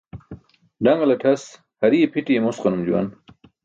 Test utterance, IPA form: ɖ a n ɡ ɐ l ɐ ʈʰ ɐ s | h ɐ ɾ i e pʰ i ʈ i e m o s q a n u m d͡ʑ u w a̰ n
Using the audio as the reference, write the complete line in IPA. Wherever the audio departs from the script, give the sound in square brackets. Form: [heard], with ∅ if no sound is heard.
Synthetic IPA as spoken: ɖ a [ŋ] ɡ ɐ l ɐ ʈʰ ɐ s | h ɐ ɾ i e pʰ i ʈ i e m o s q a n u m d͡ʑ u w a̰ n